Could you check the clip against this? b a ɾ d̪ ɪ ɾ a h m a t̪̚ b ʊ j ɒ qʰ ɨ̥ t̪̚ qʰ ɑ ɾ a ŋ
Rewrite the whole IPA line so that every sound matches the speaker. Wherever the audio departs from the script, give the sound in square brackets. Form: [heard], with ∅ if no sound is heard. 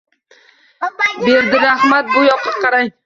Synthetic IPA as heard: b [e] ɾ d̪ ɪ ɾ a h m a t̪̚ b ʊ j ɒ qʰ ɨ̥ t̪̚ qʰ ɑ ɾ a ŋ